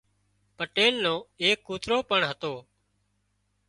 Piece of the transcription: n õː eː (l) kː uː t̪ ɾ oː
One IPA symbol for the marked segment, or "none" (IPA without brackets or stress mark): none